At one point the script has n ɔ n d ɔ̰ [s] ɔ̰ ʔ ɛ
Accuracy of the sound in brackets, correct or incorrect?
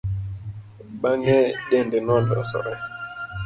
correct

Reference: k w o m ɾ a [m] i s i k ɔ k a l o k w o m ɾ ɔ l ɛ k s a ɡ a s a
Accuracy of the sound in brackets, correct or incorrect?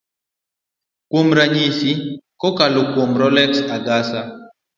incorrect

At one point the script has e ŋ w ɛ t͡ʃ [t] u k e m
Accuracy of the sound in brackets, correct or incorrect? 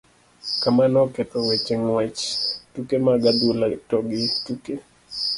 correct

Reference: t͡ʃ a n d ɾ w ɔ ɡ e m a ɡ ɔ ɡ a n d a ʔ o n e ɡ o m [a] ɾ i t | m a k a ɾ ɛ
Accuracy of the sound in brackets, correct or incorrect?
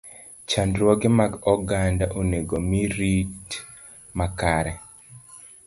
incorrect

